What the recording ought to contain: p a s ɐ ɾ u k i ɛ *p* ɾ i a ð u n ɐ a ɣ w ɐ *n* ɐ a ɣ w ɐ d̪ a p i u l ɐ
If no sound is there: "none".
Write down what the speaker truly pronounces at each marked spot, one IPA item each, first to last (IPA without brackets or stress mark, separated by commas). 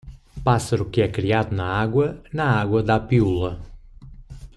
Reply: k, n